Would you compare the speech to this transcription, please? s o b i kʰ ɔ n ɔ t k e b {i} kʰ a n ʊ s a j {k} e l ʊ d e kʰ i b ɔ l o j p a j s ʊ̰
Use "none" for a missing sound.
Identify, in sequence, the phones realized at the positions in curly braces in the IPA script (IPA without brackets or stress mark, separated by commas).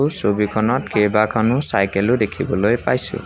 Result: a, k